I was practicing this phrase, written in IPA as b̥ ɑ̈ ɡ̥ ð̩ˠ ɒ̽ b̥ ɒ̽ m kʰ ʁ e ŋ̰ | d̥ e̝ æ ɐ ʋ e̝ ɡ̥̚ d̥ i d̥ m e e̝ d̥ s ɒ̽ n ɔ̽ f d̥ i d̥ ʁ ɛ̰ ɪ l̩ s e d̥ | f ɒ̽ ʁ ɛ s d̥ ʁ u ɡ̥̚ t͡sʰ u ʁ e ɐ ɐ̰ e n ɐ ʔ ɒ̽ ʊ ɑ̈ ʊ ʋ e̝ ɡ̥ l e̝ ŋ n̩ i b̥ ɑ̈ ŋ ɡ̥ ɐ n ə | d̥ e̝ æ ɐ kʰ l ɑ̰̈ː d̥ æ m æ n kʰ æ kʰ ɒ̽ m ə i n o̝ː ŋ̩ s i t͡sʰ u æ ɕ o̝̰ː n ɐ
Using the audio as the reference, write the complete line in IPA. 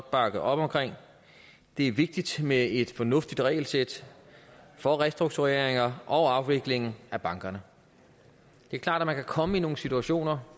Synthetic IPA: b̥ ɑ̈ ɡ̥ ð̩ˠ ɒ̽ b̥ ɒ̽ m kʰ ʁ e ŋ̰ | d̥ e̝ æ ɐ ʋ e̝ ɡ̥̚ d̥ i d̥ m e e̝ d̥ f ɒ̽ n ɔ̽ f d̥ i d̥ ʁ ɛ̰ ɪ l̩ s e d̥ | f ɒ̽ ʁ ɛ s d̥ ʁ u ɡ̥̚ t͡sʰ u ʁ e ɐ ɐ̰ e ŋ ɐ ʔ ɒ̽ ʊ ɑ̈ ʊ ʋ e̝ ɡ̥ l e̝ ŋ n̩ æ b̥ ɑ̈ ŋ ɡ̥ ɐ n ə | d̥ e̝ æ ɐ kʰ l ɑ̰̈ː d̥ æ m æ n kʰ æ kʰ ɒ̽ m ə i n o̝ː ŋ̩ s i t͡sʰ u æ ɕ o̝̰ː n ɐ

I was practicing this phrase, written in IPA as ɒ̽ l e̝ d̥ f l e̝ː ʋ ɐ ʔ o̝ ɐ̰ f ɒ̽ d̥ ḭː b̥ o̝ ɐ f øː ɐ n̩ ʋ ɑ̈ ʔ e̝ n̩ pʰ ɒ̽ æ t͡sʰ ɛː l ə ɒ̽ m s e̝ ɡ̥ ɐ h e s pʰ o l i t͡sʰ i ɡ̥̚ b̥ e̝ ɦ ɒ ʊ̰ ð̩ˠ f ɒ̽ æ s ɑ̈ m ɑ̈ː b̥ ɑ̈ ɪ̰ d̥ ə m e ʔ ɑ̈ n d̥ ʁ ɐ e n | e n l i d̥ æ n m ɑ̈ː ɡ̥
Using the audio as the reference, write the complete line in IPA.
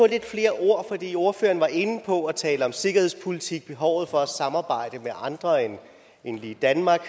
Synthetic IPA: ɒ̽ l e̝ d̥ f l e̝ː ɐ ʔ o̝ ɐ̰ f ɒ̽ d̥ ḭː o̝ ɐ f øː ɐ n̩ ʋ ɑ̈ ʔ e̝ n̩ pʰ ɒ̽ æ t͡sʰ ɛː l ə ɒ̽ m s e̝ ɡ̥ ɐ h e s pʰ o l i t͡sʰ i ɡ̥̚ b̥ e̝ ɦ ɒ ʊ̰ ð̩ˠ f ɒ̽ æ s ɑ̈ m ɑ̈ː b̥ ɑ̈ ɪ̰ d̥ ə m e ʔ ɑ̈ n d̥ ʁ ɐ e n | e n l i d̥ æ n m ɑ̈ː ɡ̥

